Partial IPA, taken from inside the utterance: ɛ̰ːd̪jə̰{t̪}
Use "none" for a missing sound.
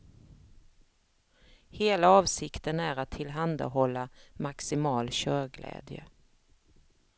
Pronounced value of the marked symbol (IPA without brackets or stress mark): none